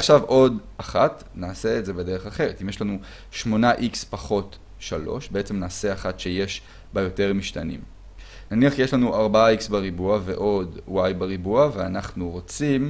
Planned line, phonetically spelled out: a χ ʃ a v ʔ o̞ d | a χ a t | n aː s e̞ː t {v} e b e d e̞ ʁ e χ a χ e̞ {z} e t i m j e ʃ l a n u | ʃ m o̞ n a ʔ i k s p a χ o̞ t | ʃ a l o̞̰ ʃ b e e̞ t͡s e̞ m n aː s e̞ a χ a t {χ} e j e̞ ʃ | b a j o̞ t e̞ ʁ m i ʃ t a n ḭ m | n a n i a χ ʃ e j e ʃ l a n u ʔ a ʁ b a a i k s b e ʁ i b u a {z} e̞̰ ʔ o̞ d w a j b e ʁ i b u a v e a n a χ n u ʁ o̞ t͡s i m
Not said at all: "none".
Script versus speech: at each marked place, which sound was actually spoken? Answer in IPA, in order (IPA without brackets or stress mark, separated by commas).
z, ʁ, ʃ, v